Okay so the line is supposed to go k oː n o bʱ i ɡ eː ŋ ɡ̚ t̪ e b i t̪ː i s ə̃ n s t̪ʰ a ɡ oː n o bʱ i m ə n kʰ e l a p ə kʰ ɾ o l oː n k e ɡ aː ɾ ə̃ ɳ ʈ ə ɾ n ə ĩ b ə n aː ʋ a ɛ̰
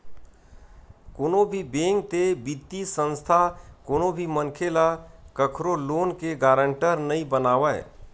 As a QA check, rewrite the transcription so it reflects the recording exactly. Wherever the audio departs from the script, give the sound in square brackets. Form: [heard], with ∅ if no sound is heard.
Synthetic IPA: k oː n o bʱ i [b] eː ŋ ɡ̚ t̪ e b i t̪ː i s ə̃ n s t̪ʰ a [k] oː n o bʱ i m ə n kʰ e l a [k] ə kʰ ɾ o l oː n k e ɡ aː ɾ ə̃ ɳ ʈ ə ɾ n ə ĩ b ə n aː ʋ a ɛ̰

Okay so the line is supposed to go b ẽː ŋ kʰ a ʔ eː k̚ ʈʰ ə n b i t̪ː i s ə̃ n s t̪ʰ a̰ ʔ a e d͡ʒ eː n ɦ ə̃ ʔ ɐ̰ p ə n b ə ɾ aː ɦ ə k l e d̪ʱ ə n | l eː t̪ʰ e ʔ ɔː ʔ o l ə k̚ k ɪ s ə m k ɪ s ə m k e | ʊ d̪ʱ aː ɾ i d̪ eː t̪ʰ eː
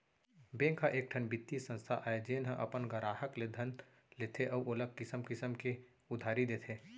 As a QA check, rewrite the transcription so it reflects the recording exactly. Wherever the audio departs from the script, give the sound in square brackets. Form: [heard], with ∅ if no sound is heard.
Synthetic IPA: b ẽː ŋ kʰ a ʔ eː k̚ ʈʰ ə n b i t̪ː i s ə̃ n s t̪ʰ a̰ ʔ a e d͡ʒ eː n ɦ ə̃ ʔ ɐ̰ p ə n [ɡ] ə ɾ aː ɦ ə k l e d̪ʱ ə n | l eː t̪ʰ e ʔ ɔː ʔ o l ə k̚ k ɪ s ə m k ɪ s ə m k e | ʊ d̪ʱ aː ɾ i d̪ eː t̪ʰ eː

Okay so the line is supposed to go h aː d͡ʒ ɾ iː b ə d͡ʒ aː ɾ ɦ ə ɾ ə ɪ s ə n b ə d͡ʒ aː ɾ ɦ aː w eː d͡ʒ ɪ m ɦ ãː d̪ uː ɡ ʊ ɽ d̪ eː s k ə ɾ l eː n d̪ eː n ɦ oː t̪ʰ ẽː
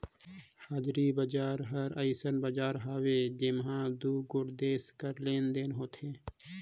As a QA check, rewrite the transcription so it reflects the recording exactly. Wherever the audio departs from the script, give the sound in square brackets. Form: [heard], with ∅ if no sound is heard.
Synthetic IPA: h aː d͡ʒ ɾ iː b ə d͡ʒ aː ɾ ɦ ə ɾ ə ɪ s ə n b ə d͡ʒ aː ɾ ɦ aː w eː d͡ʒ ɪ m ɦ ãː d̪ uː ɡ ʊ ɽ d̪ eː s k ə ɾ l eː n d̪ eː n ɦ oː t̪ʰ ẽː

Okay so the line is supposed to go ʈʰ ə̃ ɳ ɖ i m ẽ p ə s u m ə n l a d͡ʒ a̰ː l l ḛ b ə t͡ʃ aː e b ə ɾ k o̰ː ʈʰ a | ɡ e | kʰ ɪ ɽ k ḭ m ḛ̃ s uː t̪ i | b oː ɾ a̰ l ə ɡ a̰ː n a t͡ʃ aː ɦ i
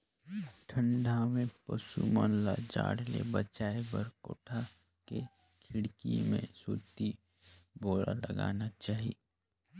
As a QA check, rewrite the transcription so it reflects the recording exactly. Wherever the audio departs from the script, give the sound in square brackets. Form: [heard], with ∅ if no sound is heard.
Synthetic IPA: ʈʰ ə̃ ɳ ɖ [a] m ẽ p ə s u m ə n l a d͡ʒ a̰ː [ɽ] l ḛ b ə t͡ʃ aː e b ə ɾ k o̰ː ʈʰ a | [k] e | kʰ ɪ ɽ k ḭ m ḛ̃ s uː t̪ i | b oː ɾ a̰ l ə ɡ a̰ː n a t͡ʃ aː ɦ i

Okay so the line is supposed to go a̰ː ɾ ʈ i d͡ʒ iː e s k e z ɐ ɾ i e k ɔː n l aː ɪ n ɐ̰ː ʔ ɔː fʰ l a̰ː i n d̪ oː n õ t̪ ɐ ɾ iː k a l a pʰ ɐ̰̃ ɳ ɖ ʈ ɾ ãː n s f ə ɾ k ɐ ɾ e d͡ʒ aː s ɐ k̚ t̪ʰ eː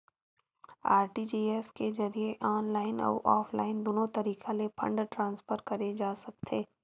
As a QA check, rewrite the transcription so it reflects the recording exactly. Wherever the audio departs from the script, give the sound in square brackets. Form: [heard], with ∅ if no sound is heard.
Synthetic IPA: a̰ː ɾ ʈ i d͡ʒ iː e s k e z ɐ ɾ i e [ʔ] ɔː n l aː ɪ n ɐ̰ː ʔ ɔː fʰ l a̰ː [ɪ] n d̪ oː n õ t̪ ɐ ɾ iː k a l [e] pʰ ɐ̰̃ ɳ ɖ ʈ ɾ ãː n s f ə ɾ k ɐ ɾ e d͡ʒ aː s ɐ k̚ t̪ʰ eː

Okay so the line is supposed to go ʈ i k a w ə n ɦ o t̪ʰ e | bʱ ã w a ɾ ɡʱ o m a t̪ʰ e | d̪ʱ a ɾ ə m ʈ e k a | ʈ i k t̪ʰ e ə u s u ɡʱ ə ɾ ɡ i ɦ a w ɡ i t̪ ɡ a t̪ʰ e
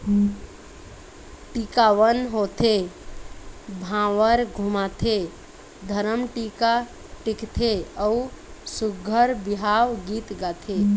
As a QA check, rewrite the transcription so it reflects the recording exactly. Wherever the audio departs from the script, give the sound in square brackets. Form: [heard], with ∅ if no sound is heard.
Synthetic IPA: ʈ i k a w ə n ɦ o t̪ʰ e | bʱ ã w [ə] ɾ ɡʱ [u] m a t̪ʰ e | d̪ʱ [ə] ɾ ə m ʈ [i] k a | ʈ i k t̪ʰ e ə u s u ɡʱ ə ɾ [b] i ɦ a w ɡ i t̪ ɡ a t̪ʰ e

